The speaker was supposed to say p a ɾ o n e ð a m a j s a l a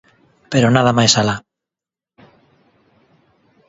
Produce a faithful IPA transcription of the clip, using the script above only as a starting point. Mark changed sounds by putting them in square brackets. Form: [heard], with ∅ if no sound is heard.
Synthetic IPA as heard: p [e] ɾ o n [a] ð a m a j s a l a

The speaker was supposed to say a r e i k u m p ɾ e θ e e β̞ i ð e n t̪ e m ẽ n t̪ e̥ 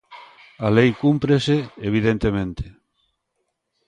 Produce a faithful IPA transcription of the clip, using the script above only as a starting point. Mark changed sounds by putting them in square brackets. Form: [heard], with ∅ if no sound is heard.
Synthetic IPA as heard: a [l] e [j] k u m p ɾ e [s] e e β̞ i ð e n t̪ e m ẽ n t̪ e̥

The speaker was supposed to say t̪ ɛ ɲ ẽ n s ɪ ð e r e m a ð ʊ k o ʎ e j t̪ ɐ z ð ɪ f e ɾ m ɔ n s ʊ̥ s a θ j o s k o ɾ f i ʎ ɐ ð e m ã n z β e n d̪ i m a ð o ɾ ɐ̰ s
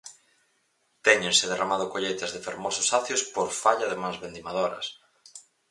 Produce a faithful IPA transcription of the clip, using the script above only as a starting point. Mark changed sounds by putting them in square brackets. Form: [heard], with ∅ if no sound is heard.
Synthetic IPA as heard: t̪ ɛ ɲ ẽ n s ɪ ð e r [a] m a ð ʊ k o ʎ e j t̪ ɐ z ð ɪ f e ɾ m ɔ [∅] s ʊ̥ s a θ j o s [p] o ɾ f [a] ʎ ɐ ð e m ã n z β e n d̪ i m a ð o ɾ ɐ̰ s

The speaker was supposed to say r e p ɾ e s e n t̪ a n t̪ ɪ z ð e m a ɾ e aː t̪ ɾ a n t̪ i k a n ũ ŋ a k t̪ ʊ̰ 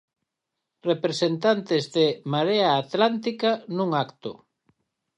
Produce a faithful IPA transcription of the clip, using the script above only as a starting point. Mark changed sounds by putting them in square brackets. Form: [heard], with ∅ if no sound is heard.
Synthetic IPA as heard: r e p ɾ e s e n t̪ a n t̪ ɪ z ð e m a ɾ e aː t̪ [l] a n t̪ i k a n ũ ŋ a k t̪ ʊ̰

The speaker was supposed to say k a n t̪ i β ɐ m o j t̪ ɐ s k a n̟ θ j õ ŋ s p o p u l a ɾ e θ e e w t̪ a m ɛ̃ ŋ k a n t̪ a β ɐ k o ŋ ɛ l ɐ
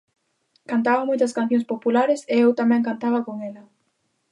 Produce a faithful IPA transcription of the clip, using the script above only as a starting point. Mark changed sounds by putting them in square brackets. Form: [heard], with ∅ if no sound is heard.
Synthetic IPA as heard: k a n t̪ [a] β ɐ m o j t̪ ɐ s k a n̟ θ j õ ŋ s p o p u l a ɾ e [s] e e w t̪ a m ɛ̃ ŋ k a n t̪ a β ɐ k o ŋ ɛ l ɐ

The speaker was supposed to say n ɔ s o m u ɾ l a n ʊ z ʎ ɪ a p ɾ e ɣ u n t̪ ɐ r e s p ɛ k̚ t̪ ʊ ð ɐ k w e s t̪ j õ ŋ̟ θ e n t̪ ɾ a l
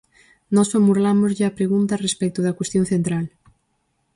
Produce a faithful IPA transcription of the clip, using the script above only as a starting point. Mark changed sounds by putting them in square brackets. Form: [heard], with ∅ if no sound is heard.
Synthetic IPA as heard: n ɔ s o m u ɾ l a [m] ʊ z ʎ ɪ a p ɾ e ɣ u n t̪ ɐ r e s p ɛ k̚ t̪ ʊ ð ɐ k w e s t̪ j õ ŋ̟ θ e n t̪ ɾ a l

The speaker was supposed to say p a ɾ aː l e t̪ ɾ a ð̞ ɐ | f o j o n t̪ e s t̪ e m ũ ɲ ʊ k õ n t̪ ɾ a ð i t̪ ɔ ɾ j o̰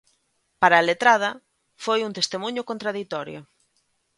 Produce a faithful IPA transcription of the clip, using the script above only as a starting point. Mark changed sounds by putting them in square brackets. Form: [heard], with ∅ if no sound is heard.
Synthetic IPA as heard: p a ɾ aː l e t̪ ɾ a ð̞ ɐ | f o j [u] n t̪ e s t̪ e m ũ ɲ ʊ k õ n t̪ ɾ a ð i t̪ ɔ ɾ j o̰

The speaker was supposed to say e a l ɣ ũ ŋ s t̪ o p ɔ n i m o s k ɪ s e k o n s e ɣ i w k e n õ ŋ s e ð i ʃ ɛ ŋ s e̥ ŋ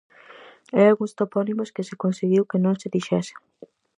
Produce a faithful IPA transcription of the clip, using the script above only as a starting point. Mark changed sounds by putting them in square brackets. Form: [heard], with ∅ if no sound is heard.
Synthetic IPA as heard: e a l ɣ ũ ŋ s t̪ o p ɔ n i m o s k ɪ s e k o n s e ɣ i w k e n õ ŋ s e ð i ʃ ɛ [∅] s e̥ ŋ

